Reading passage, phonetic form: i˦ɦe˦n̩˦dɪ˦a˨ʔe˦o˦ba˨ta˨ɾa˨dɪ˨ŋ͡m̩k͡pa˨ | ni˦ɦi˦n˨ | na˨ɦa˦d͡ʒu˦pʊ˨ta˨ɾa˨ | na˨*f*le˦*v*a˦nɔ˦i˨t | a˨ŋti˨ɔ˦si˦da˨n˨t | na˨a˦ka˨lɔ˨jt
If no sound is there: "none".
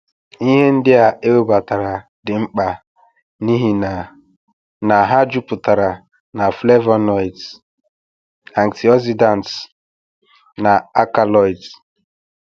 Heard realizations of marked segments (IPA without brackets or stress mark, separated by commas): f, v